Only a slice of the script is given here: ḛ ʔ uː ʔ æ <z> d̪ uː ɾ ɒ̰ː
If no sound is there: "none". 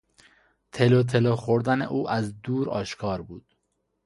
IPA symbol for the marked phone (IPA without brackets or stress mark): z